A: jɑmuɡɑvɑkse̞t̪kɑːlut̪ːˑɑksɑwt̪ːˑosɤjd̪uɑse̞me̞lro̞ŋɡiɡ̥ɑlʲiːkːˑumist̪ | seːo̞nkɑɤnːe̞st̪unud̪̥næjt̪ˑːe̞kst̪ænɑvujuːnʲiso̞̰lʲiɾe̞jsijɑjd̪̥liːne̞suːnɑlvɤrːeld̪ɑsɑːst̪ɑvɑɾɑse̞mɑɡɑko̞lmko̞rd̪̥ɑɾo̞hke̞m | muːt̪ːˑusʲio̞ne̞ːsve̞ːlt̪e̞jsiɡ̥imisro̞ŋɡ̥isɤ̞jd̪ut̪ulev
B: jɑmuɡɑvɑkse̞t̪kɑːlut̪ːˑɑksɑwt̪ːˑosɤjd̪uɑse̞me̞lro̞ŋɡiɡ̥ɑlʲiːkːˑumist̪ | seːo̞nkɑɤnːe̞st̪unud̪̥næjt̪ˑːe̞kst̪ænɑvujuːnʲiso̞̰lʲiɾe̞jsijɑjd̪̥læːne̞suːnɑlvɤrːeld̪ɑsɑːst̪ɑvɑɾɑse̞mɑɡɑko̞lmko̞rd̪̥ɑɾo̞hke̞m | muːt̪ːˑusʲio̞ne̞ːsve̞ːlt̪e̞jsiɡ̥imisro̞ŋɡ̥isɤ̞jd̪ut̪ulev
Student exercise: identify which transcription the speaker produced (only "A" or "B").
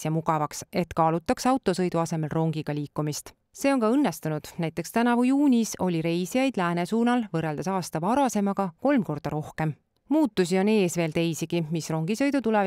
B